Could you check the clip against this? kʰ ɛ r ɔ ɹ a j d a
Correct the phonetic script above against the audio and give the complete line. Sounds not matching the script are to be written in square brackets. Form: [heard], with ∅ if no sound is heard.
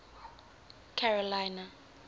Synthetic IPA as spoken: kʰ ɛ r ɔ [l] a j [n] a